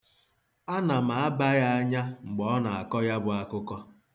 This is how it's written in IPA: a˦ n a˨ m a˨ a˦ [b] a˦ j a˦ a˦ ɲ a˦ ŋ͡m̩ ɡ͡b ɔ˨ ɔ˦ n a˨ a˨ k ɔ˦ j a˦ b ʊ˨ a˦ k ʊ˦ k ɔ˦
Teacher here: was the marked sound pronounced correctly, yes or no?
yes